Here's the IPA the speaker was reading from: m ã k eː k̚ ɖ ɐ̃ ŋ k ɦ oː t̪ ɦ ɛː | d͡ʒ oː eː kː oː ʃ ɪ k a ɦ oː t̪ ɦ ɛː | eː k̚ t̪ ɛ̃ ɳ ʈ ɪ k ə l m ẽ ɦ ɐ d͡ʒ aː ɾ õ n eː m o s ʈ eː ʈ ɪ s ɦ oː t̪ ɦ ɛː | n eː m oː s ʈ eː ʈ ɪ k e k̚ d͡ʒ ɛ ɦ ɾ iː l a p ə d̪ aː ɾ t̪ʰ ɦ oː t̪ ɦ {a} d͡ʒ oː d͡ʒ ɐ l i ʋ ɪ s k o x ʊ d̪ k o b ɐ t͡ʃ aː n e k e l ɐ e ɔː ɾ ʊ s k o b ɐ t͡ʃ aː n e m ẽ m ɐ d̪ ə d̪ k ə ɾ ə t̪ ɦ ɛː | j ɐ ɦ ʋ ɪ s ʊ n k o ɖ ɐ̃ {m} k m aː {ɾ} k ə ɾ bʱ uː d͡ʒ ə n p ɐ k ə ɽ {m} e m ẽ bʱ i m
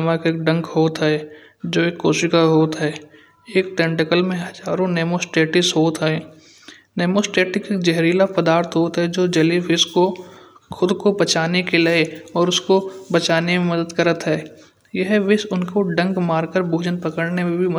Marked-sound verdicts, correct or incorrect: incorrect: ɛ, incorrect: ŋ, correct, incorrect: n

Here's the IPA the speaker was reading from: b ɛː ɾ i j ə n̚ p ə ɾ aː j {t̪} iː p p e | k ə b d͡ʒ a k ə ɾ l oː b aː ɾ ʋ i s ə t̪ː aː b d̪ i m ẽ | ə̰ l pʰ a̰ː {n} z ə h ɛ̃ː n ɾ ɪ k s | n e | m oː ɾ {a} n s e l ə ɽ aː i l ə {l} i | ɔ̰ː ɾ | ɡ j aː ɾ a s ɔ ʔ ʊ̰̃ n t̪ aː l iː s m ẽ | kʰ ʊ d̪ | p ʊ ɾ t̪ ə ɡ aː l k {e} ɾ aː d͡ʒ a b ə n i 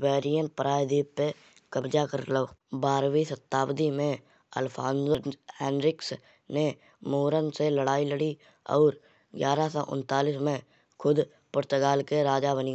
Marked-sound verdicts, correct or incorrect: incorrect: d̪, correct, incorrect: ə, incorrect: ɽ, correct

